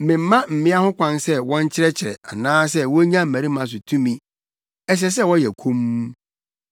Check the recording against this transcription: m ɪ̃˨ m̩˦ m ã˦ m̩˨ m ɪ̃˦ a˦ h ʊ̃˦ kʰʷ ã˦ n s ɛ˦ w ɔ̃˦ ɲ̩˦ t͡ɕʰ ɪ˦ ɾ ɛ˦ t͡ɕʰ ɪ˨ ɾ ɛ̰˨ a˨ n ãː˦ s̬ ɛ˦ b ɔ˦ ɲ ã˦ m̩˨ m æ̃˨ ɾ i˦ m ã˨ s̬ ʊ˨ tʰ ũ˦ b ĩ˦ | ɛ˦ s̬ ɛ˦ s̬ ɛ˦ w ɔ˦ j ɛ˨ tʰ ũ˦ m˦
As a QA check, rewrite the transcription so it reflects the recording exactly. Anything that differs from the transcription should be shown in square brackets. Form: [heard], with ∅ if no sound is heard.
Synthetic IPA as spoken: m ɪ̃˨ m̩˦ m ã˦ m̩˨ m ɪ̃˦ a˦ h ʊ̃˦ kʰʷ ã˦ n s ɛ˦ w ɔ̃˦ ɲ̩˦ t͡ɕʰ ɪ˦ ɾ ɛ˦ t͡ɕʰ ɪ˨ ɾ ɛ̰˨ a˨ n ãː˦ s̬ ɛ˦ [w] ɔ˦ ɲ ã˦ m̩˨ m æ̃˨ ɾ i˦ m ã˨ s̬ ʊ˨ tʰ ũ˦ [m] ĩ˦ | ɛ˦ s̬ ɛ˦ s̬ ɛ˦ w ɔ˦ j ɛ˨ [kʰ] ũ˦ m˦

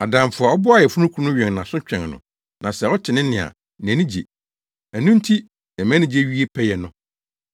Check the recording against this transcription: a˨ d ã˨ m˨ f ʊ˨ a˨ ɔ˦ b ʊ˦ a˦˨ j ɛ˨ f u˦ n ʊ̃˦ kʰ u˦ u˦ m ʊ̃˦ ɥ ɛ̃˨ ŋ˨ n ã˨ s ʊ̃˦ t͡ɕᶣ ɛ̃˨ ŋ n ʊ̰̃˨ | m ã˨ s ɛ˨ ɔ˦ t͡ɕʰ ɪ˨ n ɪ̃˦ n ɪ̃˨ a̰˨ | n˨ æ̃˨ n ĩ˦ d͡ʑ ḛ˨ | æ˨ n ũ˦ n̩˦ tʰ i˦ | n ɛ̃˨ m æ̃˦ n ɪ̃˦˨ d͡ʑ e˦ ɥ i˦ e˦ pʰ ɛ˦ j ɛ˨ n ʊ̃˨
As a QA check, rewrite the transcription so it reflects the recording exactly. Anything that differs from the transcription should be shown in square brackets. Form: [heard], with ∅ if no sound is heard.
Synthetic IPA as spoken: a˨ d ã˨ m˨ f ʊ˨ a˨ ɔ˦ b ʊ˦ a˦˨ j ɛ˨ f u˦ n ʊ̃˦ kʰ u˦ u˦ [n] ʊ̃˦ ɥ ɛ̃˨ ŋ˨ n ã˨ s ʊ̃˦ t͡ɕᶣ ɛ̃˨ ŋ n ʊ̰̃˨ | [n] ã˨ s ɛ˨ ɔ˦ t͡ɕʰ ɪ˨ n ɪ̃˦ n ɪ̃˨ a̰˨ | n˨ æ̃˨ n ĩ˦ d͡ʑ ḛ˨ | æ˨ n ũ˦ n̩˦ tʰ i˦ | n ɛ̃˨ m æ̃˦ n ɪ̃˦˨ d͡ʑ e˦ ɥ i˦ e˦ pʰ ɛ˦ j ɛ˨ n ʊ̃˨

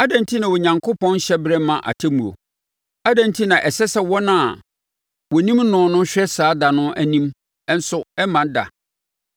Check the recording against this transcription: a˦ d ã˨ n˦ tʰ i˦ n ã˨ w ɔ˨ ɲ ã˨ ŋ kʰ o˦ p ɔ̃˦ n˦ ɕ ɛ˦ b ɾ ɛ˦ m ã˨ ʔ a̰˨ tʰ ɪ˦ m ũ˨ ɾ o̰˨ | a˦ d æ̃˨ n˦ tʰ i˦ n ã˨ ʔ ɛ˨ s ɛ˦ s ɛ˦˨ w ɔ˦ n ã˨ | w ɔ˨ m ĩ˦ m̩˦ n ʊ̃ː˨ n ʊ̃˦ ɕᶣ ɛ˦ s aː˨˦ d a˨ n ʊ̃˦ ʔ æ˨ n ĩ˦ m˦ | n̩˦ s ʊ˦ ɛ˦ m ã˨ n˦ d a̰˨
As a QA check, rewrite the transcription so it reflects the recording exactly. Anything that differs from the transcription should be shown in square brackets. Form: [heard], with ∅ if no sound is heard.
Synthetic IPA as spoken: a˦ d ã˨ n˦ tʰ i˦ n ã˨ w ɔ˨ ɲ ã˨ ŋ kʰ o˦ p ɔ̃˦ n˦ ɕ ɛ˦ b ɾ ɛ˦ m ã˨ ʔ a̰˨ tʰ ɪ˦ m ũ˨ ɾ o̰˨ | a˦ d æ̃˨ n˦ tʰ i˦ n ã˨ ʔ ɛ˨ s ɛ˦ s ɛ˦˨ w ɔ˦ n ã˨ | w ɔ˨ [n] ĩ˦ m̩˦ n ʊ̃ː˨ n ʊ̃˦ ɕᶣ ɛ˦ s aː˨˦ d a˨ n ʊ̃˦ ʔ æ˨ n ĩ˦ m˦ | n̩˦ s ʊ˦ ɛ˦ m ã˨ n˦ d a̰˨

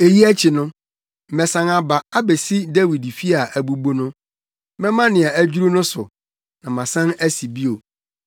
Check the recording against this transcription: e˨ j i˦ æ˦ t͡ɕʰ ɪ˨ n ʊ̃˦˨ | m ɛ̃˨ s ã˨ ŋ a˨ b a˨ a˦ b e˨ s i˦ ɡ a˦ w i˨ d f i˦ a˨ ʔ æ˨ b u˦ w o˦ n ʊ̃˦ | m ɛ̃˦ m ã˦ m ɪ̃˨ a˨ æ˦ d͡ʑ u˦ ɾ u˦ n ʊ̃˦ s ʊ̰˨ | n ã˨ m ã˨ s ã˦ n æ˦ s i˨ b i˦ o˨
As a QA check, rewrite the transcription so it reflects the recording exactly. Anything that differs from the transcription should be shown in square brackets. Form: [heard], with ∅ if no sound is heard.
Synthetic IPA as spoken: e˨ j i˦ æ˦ t͡ɕʰ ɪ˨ n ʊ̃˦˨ | m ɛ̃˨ s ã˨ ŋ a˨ b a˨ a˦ b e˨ s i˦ [d] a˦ w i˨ d f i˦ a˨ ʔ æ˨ b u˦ [b] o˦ n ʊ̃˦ | m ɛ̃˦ m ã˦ [n] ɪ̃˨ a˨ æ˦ d͡ʑ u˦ ɾ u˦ n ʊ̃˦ s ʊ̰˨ | n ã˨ m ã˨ s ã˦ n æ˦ s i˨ b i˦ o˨

